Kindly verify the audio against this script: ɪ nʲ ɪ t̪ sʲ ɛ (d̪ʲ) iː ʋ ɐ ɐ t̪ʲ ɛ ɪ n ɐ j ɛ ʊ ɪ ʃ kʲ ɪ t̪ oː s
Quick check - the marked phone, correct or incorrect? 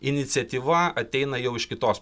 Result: incorrect